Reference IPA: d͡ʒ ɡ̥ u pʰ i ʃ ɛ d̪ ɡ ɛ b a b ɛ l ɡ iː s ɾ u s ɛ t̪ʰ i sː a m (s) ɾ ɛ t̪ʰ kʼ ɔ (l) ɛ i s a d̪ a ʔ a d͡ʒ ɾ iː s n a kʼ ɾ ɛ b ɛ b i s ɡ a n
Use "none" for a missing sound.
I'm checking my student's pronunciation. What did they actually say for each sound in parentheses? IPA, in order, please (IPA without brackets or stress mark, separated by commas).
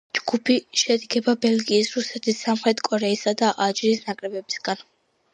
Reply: χ, ɾ